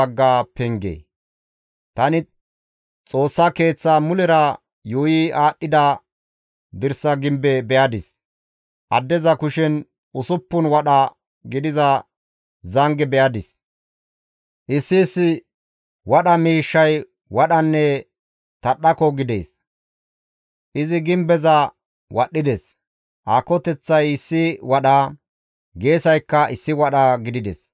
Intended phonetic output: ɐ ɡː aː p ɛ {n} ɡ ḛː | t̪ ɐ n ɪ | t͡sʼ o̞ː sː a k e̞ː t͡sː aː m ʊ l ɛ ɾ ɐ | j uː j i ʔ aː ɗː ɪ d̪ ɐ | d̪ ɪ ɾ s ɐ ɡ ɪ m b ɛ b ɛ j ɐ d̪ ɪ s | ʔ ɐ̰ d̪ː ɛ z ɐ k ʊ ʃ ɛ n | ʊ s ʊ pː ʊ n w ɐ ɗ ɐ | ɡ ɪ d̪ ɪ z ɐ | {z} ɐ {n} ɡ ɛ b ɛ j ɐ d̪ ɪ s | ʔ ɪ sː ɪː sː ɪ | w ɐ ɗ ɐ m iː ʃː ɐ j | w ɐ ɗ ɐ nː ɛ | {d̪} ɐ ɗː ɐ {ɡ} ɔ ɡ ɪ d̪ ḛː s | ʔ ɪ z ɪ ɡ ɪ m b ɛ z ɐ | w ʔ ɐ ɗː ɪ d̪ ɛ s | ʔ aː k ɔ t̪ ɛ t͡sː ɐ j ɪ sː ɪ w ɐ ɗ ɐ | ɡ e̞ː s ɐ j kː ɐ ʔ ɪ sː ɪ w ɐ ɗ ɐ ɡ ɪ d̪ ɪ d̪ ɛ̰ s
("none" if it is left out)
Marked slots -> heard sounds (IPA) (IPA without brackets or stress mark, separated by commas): ŋ, z, ŋ, t̪, k